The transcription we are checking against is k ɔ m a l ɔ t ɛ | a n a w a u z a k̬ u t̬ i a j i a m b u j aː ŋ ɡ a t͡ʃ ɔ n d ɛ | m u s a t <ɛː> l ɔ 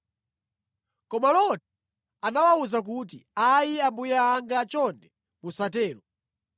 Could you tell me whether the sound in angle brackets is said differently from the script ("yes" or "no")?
no